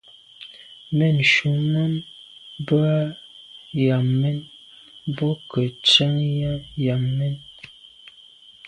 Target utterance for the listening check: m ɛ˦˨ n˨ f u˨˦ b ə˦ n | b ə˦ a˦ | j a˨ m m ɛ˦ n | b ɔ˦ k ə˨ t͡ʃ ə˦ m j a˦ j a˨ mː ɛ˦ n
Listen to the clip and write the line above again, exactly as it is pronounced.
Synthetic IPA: m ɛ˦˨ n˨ ʃ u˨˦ m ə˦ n | b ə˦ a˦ | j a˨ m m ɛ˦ n | b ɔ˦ k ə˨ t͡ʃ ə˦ ŋ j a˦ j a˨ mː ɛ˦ n